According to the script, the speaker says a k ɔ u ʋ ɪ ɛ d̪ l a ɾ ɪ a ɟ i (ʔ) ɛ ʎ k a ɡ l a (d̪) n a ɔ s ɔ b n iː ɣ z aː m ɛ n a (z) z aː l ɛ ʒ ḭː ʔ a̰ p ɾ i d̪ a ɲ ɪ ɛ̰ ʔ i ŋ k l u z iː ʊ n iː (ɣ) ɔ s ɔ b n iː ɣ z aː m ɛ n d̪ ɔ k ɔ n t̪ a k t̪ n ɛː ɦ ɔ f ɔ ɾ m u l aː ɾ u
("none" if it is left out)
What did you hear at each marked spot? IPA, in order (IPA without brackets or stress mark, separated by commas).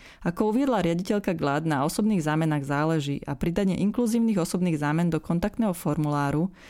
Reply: c, d̪, ɣ, ɣ